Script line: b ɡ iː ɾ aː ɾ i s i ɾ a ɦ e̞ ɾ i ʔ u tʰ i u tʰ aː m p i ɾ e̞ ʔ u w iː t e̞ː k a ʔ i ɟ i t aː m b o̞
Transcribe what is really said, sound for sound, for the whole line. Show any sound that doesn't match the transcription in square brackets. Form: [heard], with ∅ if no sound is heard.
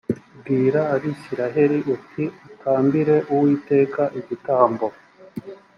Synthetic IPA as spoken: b ɡ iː ɾ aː ɾ i s i ɾ a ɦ e̞ ɾ i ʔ u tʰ i u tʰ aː m [b] i ɾ e̞ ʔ u w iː t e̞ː k a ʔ i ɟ i t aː m b o̞